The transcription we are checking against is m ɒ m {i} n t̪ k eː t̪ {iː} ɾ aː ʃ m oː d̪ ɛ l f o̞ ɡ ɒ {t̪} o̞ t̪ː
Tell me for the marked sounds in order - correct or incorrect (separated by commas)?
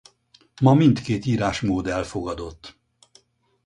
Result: correct, correct, incorrect